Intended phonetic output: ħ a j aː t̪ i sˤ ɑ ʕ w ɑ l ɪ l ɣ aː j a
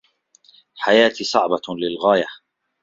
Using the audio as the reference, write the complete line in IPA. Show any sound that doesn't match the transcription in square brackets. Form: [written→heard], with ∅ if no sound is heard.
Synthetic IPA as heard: ħ a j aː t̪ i sˤ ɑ ʕ [w→b] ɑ l ɪ l ɣ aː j a

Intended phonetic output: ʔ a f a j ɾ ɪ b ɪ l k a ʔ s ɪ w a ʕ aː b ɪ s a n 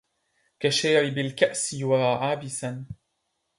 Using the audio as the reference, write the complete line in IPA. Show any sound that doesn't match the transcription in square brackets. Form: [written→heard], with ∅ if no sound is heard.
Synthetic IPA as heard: [ʔ→k] a [f→ʃ] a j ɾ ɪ b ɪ l k a ʔ s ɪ w a ʕ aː b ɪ s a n

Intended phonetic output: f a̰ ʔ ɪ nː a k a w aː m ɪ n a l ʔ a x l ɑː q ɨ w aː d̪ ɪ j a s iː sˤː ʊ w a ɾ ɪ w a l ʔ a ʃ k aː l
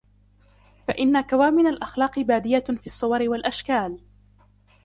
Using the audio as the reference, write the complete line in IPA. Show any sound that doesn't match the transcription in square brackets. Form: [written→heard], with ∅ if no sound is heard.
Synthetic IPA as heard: f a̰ ʔ ɪ nː a k a w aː m ɪ n a l ʔ a x l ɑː q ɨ [w→b] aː d̪ ɪ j a [s→f] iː sˤː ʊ w [a→ɑ] ɾ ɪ w a l ʔ a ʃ k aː l

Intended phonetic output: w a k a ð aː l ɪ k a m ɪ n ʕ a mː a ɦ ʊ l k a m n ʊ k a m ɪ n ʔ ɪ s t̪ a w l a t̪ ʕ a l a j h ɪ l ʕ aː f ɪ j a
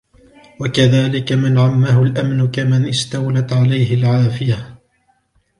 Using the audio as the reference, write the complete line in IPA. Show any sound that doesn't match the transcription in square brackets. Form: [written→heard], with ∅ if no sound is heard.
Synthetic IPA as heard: w a k a ð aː l ɪ k a m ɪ n ʕ a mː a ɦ ʊ l [k→ʔ] a m n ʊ k a m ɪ n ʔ ɪ s t̪ a w l a t̪ ʕ a l a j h ɪ l ʕ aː f ɪ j a

